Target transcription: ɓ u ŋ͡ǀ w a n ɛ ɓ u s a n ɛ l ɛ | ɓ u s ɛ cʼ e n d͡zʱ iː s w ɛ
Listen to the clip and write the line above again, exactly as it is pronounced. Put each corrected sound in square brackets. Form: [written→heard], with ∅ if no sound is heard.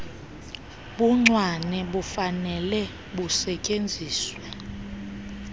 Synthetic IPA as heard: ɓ u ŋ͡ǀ w a n ɛ ɓ u [s→f] a n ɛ l ɛ | ɓ u s ɛ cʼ e n d͡zʱ iː s w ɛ